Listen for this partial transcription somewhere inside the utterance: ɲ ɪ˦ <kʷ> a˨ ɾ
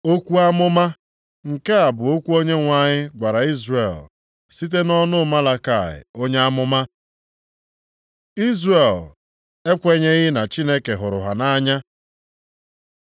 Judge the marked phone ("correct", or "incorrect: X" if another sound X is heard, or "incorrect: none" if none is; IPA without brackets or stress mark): incorrect: ɡʷ